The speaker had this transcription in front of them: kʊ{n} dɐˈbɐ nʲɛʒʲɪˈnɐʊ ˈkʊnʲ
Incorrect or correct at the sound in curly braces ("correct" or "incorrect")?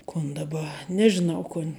correct